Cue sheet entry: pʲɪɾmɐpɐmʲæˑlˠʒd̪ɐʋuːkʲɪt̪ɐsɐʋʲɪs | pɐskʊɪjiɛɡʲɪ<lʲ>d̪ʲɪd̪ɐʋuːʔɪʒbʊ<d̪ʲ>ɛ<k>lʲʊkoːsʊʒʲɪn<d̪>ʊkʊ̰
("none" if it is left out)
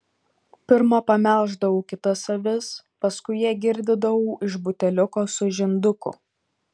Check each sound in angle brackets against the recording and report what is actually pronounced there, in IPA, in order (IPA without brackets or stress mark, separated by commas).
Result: ɾʲ, t̪ʲ, none, d̪